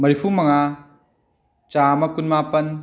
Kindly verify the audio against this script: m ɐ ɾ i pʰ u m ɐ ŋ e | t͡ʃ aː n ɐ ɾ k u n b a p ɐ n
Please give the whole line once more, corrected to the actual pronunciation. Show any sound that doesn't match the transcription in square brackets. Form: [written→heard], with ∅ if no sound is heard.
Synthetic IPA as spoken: m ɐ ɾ i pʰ u m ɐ ŋ [e→a] | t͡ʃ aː [n→m] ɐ [ɾ→∅] k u n [b→m] a p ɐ n